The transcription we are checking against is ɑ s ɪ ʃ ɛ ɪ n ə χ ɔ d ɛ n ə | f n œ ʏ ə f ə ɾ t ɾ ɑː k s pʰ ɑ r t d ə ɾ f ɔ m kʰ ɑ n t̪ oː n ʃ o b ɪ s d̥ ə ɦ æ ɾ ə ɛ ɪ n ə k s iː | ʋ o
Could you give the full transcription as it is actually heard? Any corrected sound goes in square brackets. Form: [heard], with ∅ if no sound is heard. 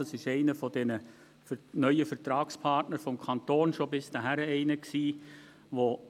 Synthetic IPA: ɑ s ɪ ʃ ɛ ɪ n ə [f] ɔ d ɛ n ə | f n œ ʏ ə f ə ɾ t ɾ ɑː k s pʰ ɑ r t [n] ə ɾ f ɔ m kʰ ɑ n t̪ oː n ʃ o b ɪ s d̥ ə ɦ æ ɾ ə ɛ ɪ n ə k s iː | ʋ o